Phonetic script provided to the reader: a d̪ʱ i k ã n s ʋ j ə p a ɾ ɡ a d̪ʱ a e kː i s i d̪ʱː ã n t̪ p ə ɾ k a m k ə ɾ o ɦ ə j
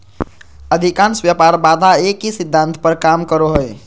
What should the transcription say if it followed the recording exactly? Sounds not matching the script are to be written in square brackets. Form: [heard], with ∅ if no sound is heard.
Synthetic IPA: [ə] d̪ʱ i k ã n s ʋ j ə p a ɾ [b] a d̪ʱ a e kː i s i d̪ʱː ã n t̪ p ə ɾ k a m k ə ɾ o ɦ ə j